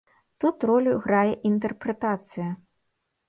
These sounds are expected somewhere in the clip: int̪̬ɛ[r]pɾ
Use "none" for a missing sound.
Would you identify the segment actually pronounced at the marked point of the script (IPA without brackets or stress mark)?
r